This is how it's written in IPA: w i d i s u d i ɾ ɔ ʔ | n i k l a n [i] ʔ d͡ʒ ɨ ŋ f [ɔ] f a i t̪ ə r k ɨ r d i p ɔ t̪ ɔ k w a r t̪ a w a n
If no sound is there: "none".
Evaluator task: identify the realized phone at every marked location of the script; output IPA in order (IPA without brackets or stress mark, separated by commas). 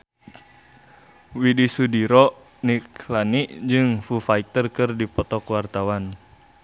i, u